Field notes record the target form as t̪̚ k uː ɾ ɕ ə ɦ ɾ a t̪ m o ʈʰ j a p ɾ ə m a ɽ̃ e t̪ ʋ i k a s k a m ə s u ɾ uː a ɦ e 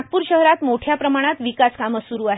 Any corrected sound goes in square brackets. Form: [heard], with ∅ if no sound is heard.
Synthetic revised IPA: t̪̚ [p] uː ɾ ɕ ə ɦ ɾ a t̪ m o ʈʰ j a p ɾ ə m a ɽ̃ [a] t̪ ʋ i k a s k a m ə s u ɾ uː a ɦ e